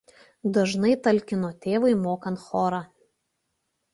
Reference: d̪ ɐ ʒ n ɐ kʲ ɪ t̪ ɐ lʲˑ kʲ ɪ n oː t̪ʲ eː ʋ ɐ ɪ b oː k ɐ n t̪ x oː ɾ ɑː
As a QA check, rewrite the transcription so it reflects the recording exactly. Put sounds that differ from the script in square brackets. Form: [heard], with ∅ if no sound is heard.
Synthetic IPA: d̪ ɐ ʒ n ɐ [∅] ɪ t̪ ɐ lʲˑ kʲ ɪ n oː t̪ʲ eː ʋ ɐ ɪ [m] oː k ɐ n t̪ x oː ɾ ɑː

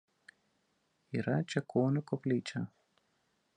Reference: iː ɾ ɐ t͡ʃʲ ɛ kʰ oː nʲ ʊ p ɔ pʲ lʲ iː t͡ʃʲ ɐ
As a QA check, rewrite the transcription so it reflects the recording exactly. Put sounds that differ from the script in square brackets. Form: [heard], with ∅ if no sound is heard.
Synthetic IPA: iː ɾ ɐ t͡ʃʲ ɛ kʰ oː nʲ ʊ [k] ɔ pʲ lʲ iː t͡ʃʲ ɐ

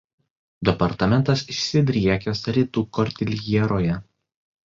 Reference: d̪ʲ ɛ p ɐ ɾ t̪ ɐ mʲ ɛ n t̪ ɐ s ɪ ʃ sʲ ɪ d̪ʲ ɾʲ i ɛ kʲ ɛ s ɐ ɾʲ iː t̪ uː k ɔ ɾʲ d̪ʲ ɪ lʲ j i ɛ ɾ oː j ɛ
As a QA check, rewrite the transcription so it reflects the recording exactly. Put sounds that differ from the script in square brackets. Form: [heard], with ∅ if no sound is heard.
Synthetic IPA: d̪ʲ ɛ p ɐ ɾ t̪ ɐ mʲ ɛ n t̪ ɐ s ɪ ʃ sʲ ɪ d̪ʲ ɾʲ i ɛ kʲ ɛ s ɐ ɾʲ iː t̪ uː k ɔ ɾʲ [t̪ʲ] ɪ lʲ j i ɛ ɾ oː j ɛ

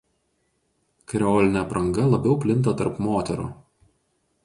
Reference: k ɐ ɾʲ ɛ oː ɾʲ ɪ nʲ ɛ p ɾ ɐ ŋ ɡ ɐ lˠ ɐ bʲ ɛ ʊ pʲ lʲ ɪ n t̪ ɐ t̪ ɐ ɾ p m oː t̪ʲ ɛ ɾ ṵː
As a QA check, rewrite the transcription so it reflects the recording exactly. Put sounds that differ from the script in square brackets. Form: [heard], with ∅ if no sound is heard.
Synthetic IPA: k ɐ ɾʲ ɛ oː [lʲ] ɪ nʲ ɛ p ɾ ɐ ŋ ɡ ɐ lˠ ɐ bʲ ɛ ʊ pʲ lʲ ɪ n t̪ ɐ t̪ ɐ ɾ p m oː t̪ʲ ɛ ɾ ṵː

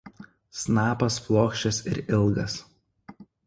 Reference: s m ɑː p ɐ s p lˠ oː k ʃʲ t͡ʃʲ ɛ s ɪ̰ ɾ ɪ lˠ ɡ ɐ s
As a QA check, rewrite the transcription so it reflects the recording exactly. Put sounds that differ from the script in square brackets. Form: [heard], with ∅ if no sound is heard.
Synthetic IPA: s [n] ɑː p ɐ s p lˠ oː k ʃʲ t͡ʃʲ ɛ s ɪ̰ ɾ ɪ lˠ ɡ ɐ s

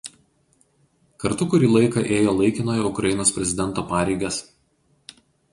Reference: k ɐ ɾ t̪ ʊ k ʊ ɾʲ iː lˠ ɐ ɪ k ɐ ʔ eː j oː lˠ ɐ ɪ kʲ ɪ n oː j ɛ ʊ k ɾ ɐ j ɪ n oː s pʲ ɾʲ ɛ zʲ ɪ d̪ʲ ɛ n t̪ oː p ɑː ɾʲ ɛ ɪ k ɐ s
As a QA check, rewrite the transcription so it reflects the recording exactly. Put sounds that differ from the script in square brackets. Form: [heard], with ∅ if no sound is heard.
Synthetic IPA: k ɐ ɾ t̪ ʊ k ʊ ɾʲ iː lˠ ɐ ɪ k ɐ ʔ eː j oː lˠ ɐ ɪ kʲ ɪ n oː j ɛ ʊ k ɾ ɐ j ɪ n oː s pʲ ɾʲ ɛ zʲ ɪ d̪ʲ ɛ n t̪ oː p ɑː ɾʲ ɛ ɪ [ɡ] ɐ s

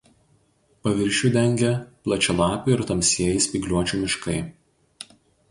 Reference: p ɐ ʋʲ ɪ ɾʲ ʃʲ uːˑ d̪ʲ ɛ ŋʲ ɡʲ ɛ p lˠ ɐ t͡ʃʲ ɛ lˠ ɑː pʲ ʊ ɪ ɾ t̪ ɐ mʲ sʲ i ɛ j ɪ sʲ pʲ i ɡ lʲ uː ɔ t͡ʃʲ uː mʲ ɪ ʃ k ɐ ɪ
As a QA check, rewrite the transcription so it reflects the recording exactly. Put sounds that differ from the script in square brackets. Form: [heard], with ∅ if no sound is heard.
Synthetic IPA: p ɐ ʋʲ ɪ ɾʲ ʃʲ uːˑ d̪ʲ ɛ ŋʲ ɡʲ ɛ p lˠ ɐ t͡ʃʲ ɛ lˠ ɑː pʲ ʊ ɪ ɾ t̪ ɐ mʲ sʲ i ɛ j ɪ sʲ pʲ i ɡ lʲ [u] ɔ t͡ʃʲ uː mʲ ɪ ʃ k ɐ ɪ

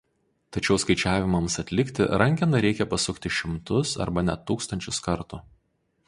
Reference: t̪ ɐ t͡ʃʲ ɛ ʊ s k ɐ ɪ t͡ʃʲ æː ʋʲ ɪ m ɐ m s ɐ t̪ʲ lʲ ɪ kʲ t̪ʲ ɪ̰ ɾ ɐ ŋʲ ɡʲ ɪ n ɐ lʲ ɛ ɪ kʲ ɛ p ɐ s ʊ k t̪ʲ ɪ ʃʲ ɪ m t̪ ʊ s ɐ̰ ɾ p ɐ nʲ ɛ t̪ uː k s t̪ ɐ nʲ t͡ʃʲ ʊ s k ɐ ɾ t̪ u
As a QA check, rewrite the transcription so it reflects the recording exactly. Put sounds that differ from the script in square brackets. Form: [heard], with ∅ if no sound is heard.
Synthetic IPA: t̪ ɐ t͡ʃʲ ɛ ʊ s k ɐ ɪ t͡ʃʲ æː ʋʲ ɪ m ɐ m s ɐ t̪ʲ lʲ ɪ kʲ t̪ʲ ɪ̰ ɾ ɐ ŋʲ [kʲ] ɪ n ɐ [ɾʲ] ɛ ɪ kʲ ɛ p ɐ s ʊ k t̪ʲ ɪ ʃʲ ɪ m t̪ ʊ s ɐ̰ ɾ [b] ɐ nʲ ɛ t̪ uː k s t̪ ɐ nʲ t͡ʃʲ ʊ s k ɐ ɾ t̪ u

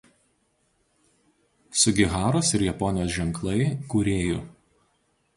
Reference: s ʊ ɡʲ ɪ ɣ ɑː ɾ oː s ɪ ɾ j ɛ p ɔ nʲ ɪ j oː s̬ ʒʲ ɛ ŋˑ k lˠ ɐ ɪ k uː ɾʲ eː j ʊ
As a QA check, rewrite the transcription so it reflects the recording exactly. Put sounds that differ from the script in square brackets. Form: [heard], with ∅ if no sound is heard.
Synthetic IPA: s ʊ ɡʲ ɪ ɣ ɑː ɾ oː s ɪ ɾ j ɛ p ɔ nʲ ɪ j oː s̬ ʒʲ ɛ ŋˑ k lˠ ɐ ɪ k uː ɾʲ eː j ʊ

